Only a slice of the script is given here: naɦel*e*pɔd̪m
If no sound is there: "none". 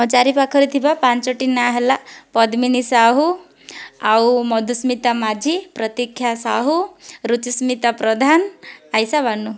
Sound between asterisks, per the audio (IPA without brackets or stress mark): a